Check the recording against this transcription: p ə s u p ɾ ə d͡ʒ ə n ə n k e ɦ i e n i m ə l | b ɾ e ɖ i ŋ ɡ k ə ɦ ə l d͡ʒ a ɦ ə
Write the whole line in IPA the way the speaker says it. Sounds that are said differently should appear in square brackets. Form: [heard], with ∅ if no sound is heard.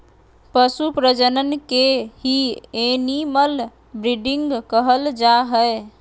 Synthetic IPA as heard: p ə s u p ɾ ə d͡ʒ ə n ə n k e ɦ i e n i m ə l | b ɾ [i] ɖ i ŋ ɡ k ə ɦ ə l d͡ʒ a ɦ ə